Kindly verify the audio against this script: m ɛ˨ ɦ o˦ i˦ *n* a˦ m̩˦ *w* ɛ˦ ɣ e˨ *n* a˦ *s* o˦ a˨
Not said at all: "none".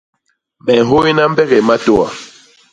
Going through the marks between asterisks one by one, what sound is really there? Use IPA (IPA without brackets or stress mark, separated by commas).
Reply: n, b, m, t